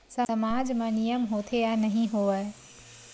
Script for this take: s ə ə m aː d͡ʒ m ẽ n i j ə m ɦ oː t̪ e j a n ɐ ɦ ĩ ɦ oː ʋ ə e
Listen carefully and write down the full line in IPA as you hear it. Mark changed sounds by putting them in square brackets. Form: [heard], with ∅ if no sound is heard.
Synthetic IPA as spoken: s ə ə m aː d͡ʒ m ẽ n i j ə m ɦ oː [t̪ʰ] e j a n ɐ ɦ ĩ ɦ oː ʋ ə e